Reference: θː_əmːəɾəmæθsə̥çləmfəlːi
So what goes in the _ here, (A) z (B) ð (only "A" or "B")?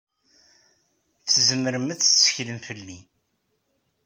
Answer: A